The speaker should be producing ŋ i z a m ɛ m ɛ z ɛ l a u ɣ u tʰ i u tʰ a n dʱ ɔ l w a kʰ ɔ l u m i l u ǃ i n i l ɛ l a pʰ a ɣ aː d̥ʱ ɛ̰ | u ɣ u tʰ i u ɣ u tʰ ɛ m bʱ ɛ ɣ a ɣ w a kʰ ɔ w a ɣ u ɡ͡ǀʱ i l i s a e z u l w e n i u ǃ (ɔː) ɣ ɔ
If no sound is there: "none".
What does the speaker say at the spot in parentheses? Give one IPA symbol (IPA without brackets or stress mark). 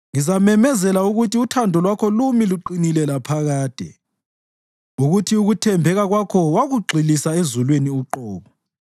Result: ɔː